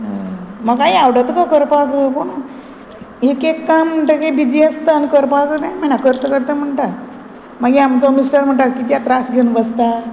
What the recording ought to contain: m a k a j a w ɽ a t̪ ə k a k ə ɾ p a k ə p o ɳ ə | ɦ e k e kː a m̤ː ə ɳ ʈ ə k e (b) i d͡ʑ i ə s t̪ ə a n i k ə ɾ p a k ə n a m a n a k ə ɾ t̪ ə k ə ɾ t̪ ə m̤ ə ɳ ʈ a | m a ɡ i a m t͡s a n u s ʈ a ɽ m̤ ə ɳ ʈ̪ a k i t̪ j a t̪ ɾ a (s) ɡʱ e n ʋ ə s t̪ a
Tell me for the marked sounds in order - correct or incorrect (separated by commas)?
correct, correct